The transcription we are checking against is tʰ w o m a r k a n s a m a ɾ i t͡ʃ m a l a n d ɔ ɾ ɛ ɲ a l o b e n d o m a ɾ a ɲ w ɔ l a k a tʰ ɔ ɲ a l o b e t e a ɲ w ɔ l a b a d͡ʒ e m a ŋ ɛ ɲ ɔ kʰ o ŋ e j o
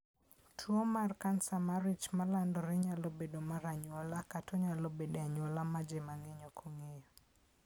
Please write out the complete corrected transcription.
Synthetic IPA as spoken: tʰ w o m a r k a n s a m a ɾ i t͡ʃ m a l a n d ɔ ɾ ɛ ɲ a l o b e d o m a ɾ a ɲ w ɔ l a k a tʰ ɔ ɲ a l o b e d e a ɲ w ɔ l a m a d͡ʒ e m a ŋ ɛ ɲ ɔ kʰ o ŋ e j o